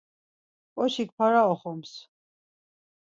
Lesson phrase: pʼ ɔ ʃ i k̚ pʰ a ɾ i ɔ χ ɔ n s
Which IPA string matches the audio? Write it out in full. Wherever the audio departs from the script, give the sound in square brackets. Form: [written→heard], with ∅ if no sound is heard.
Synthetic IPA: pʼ ɔ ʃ i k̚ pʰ a ɾ [i→a] ɔ χ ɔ [n→m] s